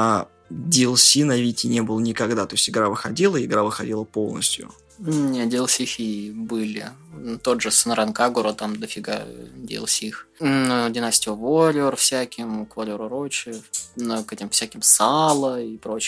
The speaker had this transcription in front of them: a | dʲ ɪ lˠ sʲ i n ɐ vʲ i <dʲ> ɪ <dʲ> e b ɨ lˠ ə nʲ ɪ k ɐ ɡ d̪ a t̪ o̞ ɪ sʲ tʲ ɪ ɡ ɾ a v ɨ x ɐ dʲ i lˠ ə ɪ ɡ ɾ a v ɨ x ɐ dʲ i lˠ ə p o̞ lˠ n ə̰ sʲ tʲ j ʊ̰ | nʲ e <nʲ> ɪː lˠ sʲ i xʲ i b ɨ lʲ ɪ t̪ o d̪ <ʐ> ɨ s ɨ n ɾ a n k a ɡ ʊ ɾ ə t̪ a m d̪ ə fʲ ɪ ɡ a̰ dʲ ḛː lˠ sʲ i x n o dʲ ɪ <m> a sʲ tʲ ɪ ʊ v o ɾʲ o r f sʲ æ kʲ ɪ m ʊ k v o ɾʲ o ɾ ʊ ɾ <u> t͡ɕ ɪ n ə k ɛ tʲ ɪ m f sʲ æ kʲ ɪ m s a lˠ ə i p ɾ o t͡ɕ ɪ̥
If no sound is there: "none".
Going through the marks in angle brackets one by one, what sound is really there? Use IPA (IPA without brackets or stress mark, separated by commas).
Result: tʲ, nʲ, dʲ, ʐ, n, o